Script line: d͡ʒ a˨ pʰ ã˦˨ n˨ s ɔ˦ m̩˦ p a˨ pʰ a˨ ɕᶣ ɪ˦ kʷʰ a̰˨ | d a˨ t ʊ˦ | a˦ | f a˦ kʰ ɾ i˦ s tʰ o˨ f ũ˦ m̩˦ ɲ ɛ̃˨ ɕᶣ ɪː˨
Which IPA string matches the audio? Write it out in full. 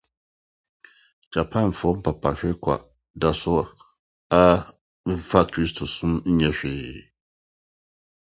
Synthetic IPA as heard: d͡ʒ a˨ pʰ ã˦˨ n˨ f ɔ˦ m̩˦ p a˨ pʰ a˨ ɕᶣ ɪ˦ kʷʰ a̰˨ | d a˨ s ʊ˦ | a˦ | f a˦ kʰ ɾ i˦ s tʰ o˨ s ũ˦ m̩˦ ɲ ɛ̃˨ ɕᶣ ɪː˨